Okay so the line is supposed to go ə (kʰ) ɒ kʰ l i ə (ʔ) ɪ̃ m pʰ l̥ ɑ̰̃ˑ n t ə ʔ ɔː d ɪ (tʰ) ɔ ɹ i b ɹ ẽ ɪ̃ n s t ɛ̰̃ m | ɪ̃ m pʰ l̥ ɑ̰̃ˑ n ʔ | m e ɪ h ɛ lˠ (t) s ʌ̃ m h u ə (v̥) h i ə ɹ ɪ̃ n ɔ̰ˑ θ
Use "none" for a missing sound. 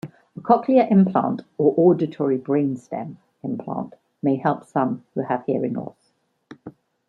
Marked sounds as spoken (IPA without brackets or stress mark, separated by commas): kʰ, ʔ, tʰ, p, v̥